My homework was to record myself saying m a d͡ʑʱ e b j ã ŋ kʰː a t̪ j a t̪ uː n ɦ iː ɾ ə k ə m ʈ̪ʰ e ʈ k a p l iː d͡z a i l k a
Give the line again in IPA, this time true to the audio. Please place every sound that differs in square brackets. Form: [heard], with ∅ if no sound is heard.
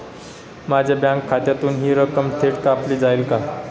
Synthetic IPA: m a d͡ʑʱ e b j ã ŋ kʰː a t̪ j a t̪ uː n ɦ iː ɾ ə k ə m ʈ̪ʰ e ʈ k a p l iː d͡z a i l k a